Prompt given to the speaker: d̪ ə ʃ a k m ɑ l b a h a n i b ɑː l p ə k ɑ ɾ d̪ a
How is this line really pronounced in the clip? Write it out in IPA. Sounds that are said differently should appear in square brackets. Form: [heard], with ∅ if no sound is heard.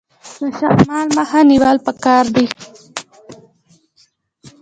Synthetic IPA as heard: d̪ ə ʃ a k m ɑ l [m] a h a n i [w] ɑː l p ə k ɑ ɾ d̪ [i]